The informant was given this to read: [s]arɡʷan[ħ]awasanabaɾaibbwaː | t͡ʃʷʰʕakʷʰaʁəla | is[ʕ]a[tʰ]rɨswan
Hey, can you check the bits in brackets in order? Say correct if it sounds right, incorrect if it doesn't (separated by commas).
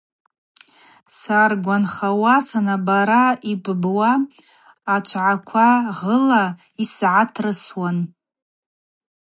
correct, incorrect, correct, correct